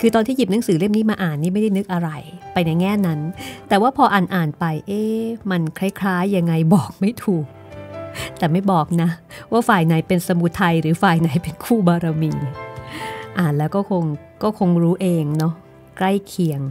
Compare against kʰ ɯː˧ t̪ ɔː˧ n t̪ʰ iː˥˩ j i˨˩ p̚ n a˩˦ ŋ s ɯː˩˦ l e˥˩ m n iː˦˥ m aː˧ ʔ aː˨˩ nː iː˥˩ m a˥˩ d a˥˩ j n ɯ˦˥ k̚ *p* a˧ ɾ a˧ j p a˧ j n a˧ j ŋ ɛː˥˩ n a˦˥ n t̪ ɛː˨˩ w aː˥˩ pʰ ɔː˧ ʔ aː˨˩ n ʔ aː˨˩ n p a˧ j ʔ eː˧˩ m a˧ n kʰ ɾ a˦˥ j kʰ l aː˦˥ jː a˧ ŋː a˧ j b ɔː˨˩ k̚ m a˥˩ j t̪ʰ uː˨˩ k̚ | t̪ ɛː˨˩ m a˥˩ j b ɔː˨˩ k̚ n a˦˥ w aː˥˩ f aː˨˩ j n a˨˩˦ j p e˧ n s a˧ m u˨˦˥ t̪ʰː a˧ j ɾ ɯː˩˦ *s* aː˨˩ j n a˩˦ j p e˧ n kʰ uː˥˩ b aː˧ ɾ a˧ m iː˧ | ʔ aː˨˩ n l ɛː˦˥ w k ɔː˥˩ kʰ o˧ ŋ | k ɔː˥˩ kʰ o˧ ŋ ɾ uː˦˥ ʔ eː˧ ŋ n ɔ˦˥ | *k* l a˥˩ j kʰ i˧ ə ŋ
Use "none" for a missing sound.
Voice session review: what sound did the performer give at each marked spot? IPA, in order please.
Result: ʔ, f, k

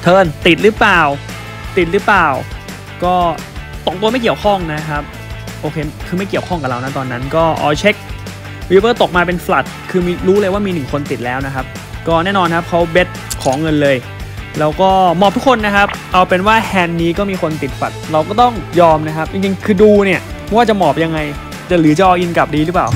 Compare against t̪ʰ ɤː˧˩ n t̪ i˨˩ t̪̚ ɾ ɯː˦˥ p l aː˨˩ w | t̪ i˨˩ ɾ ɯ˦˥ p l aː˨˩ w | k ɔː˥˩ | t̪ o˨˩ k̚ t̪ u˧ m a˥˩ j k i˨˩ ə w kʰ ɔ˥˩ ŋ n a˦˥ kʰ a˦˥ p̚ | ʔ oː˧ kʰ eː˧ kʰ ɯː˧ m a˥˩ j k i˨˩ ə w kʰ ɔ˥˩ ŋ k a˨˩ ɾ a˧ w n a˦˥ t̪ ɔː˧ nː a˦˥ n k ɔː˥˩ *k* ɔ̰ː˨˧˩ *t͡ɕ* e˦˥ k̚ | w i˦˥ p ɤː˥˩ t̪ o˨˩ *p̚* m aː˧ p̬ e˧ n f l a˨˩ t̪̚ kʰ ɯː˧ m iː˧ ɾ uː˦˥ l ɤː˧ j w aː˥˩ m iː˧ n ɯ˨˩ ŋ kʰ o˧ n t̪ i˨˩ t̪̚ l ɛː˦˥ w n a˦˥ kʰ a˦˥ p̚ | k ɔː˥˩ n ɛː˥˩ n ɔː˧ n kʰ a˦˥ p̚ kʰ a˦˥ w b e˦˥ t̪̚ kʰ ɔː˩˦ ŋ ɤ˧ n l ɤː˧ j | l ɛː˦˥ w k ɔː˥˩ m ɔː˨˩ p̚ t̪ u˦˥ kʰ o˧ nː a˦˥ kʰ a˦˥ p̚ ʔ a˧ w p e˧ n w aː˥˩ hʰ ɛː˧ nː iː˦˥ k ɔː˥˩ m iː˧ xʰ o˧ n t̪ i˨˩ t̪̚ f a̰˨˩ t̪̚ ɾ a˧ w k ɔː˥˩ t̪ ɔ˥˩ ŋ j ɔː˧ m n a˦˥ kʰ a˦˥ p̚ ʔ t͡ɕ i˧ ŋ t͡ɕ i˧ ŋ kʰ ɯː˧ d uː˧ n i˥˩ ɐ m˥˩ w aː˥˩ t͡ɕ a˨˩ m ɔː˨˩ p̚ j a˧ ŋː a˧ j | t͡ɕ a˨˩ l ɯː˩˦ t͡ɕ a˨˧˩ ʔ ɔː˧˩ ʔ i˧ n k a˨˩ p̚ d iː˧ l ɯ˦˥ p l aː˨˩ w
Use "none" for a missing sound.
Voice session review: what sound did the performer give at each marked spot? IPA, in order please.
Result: ʔ, t͡ɕʰ, k̚

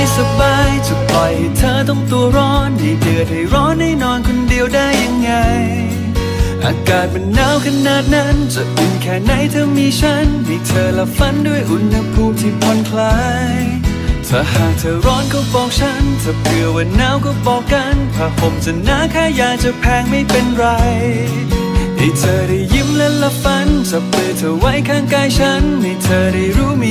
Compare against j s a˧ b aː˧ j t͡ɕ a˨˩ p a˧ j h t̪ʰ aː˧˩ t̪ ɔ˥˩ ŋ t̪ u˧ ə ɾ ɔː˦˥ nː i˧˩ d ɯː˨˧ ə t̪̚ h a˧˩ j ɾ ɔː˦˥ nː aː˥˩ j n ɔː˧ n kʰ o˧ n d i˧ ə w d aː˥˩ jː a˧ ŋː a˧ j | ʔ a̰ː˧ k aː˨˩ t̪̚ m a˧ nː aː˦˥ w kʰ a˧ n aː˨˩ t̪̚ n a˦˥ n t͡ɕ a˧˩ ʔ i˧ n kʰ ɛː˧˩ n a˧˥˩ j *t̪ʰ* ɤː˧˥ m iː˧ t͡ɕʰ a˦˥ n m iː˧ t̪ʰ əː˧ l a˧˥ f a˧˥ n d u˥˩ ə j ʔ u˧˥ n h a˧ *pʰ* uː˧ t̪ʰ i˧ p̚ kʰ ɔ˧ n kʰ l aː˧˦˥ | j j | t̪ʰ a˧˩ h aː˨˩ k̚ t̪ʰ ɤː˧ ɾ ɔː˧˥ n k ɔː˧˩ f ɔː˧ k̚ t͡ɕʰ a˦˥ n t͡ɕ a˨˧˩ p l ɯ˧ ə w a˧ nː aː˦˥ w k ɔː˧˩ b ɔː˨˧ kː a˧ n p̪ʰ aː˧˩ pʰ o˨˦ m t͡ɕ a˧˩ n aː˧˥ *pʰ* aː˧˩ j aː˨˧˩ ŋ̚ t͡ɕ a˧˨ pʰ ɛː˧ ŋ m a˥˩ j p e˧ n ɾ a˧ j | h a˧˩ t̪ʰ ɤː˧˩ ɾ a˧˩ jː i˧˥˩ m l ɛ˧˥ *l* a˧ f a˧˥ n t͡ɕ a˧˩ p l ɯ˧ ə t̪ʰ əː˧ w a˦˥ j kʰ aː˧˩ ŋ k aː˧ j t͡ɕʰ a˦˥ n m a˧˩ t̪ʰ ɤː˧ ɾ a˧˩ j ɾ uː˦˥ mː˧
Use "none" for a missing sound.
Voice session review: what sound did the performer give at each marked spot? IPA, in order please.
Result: t̪ʰ, pʰ, kʰ, l

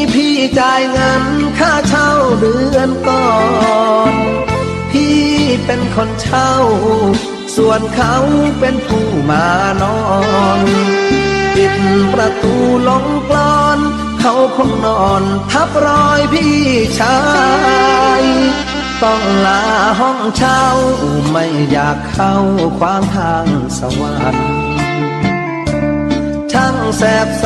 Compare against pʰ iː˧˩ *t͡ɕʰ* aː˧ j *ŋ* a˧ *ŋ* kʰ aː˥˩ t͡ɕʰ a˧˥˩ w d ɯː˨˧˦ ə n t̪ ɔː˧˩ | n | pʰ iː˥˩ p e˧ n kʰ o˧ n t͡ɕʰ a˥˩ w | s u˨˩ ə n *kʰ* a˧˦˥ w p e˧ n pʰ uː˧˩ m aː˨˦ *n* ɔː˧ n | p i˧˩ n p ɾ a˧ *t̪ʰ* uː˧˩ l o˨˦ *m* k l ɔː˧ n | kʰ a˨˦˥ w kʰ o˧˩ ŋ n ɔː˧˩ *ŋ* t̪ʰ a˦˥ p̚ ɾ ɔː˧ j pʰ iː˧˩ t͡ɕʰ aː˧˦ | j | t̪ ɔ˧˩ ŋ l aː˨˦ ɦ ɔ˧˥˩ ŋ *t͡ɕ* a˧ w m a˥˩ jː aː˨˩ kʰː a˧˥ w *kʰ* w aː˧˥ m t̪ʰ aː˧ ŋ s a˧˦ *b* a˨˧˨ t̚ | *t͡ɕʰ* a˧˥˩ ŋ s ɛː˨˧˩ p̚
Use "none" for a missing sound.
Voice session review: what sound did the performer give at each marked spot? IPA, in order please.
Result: t͡ɕ, ŋ, n, kʰ, n, t̪, ŋ, n, t͡ɕʰ, kʰ, w, t͡ɕʰ

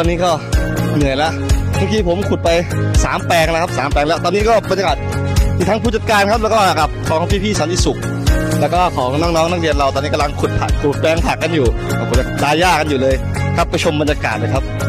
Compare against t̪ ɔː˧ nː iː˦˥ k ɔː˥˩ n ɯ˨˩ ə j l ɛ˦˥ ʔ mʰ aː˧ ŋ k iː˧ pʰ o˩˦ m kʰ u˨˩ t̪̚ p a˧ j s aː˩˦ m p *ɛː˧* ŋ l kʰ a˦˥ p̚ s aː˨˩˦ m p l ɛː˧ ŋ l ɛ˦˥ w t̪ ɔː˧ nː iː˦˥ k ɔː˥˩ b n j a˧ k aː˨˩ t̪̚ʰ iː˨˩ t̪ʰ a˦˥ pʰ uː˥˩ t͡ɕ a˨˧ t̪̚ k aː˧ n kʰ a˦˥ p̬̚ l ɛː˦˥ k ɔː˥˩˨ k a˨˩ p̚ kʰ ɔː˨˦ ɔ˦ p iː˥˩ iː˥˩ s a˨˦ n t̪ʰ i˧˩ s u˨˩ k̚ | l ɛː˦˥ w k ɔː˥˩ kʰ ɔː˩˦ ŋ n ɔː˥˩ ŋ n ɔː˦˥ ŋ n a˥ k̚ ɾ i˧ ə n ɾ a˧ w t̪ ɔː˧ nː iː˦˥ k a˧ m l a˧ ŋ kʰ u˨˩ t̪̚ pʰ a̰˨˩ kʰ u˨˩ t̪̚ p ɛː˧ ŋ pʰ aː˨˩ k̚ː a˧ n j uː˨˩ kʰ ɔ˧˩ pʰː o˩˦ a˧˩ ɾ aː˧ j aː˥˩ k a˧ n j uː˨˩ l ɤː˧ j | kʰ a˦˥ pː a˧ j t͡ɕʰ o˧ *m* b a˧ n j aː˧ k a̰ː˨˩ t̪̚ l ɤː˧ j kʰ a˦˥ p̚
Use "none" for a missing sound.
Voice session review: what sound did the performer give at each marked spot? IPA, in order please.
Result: ɛː˧, m

